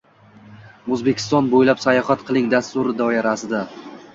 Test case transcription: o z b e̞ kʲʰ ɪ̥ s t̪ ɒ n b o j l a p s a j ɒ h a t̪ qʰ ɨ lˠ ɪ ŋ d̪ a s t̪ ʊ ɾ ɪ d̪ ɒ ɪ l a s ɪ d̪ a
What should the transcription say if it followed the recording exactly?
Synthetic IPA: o z b e̞ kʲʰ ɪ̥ s t̪ ɒ n b o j l a p s a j ɒ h a t̪ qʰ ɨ lˠ ɪ ŋ d̪ a s t̪ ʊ ɾ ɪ d̪ ɒ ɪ ɾ a s ɪ d̪ a